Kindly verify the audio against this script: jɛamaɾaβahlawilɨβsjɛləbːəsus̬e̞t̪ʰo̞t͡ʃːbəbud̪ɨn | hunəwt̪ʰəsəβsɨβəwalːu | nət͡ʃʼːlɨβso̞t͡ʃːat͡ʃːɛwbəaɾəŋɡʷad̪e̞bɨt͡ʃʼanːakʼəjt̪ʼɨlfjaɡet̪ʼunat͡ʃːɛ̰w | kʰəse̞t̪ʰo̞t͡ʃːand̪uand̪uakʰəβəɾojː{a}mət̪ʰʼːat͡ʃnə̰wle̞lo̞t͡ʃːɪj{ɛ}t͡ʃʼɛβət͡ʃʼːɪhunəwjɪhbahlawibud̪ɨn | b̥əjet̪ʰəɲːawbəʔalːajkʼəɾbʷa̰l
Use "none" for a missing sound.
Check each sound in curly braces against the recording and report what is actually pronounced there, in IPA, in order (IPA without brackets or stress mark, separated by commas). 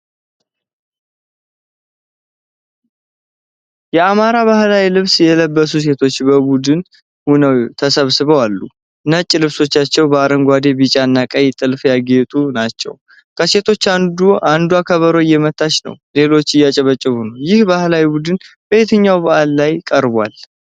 ɛ, a